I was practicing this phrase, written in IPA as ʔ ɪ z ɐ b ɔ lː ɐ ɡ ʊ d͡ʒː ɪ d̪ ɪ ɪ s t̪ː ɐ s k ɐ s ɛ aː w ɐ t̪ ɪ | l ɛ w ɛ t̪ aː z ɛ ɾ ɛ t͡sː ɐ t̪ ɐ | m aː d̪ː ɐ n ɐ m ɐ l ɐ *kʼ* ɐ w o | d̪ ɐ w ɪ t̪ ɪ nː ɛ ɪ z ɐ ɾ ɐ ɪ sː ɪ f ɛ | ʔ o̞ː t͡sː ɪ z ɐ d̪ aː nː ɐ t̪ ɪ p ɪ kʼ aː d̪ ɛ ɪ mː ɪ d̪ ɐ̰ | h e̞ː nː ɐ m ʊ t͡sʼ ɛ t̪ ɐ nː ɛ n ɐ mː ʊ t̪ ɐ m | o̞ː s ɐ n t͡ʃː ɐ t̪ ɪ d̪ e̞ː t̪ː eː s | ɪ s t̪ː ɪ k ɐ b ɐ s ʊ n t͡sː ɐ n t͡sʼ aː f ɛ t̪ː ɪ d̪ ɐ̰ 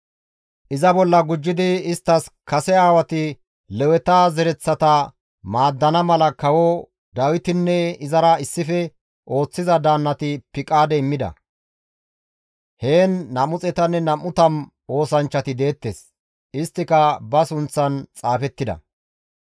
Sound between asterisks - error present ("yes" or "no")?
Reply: yes